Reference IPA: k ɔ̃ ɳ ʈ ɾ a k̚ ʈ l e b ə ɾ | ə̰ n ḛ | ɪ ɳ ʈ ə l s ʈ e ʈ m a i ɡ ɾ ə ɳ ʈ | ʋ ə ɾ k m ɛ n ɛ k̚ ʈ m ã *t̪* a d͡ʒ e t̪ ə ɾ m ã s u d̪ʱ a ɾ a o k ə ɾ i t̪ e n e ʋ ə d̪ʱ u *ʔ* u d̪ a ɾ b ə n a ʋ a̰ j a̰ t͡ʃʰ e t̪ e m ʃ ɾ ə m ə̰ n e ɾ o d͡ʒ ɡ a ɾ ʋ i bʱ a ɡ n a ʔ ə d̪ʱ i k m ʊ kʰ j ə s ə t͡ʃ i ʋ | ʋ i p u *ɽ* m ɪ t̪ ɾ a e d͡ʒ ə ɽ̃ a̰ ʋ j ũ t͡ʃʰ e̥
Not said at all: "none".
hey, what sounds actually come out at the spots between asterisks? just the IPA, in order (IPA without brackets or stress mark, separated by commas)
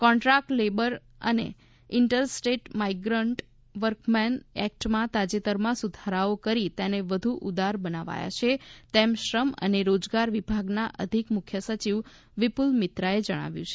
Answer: t̪, ʔ, l